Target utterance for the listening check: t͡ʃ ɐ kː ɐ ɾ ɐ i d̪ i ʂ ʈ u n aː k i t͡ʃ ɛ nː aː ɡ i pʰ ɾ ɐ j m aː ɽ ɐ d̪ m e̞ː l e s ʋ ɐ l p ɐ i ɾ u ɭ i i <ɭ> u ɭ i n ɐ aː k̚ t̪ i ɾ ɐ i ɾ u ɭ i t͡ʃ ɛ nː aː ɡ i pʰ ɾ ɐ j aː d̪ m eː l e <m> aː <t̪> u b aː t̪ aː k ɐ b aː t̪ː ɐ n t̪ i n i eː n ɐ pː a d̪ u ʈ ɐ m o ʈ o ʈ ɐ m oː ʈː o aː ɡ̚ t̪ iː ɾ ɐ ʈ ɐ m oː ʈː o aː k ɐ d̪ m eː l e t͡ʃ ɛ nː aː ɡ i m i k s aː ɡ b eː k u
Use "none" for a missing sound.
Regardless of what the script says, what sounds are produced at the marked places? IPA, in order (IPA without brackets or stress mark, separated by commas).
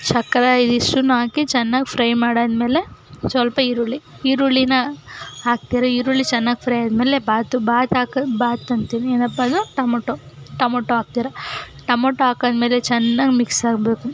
ɾ, b, t̪